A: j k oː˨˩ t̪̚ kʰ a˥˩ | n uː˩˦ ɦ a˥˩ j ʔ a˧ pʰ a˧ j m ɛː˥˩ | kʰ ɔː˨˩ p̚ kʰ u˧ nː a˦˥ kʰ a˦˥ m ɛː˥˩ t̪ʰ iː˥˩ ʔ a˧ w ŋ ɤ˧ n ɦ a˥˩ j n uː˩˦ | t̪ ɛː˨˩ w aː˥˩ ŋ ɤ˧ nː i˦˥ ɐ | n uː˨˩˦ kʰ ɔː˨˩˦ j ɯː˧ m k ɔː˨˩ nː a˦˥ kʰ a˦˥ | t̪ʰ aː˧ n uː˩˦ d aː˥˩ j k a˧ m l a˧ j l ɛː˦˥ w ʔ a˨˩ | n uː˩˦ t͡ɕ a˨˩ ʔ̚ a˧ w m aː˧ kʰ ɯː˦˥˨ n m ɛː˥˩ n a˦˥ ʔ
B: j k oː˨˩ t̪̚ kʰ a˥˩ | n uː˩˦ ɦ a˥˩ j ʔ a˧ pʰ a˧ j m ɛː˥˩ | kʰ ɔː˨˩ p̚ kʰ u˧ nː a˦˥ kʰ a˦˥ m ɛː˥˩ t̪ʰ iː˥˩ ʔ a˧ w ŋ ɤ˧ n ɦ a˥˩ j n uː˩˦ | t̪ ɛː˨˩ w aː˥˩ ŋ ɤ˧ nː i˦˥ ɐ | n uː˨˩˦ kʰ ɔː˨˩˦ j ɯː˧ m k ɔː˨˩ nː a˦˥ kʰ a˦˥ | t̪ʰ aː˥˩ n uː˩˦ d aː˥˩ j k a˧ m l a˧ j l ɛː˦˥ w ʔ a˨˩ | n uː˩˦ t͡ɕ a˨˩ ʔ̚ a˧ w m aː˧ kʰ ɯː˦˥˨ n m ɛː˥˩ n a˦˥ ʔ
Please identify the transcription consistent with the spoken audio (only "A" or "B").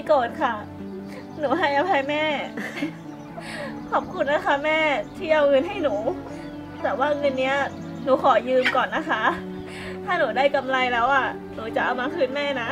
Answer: B